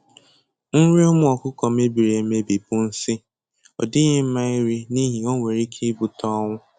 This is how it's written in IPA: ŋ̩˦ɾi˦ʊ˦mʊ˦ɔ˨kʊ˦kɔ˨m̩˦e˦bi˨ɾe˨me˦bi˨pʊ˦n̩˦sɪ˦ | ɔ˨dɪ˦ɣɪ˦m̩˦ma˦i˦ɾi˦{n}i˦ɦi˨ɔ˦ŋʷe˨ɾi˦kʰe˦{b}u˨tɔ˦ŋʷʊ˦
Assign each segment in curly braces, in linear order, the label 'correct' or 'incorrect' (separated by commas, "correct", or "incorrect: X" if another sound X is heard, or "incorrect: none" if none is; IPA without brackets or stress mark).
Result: correct, correct